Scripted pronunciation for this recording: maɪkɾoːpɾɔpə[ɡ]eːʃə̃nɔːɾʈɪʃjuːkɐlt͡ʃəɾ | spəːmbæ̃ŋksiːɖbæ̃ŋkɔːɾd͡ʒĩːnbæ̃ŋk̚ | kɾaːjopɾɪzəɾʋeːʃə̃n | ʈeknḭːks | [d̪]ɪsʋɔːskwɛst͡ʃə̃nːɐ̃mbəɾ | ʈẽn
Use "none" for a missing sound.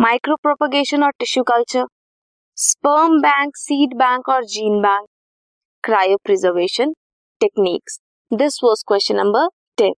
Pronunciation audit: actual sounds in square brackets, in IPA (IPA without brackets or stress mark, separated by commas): ɡ, d̪